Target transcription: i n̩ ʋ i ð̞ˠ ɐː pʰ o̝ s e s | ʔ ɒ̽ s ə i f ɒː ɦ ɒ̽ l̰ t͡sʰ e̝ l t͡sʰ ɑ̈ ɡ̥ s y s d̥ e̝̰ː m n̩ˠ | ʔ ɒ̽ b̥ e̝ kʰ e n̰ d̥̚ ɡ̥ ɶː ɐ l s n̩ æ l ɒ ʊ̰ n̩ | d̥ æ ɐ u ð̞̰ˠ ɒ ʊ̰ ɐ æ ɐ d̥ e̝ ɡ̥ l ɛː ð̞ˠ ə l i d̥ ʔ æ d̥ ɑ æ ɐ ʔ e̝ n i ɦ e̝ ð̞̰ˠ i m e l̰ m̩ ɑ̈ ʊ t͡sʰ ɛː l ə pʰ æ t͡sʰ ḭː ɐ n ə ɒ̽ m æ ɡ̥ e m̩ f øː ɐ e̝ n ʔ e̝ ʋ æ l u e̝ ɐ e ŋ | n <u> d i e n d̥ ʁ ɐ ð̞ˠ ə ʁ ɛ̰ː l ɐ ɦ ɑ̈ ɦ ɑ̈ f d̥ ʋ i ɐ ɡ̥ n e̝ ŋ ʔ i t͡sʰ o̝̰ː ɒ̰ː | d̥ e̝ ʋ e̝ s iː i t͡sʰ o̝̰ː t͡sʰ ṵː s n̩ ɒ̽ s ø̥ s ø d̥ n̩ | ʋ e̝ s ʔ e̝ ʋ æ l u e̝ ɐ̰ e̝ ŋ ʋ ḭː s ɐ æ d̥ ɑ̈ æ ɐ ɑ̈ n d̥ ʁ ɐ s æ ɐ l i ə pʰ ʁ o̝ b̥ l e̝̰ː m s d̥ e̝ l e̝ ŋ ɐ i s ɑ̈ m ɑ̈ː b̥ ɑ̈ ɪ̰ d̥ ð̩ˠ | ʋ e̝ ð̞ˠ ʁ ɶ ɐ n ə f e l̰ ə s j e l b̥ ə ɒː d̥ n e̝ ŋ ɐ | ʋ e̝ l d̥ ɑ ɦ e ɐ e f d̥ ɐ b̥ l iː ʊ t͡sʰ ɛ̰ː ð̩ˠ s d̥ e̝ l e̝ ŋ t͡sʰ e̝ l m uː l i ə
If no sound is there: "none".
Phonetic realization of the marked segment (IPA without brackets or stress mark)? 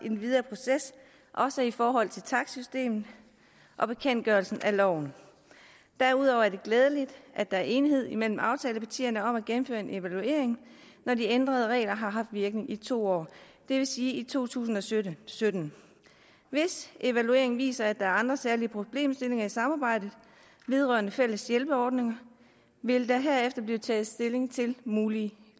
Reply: ɒ